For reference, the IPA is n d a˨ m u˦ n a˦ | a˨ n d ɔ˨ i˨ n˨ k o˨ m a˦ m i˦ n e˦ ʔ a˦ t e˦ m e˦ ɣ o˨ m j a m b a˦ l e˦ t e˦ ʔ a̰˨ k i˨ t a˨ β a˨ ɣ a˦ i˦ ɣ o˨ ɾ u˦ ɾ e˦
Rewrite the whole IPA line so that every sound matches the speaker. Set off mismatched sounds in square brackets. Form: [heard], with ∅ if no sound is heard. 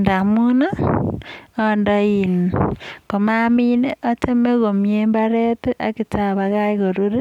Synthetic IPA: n d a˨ m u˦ n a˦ | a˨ n d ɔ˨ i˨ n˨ k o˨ m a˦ m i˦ n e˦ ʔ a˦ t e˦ m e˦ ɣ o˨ m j [e] m b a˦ [ɾ] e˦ t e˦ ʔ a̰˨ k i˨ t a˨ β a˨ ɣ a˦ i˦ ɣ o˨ ɾ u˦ ɾ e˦